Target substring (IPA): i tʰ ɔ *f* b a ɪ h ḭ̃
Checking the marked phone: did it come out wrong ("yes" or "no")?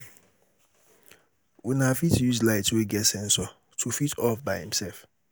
no